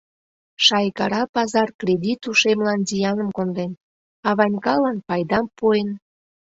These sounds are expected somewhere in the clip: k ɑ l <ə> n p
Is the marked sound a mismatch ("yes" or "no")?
yes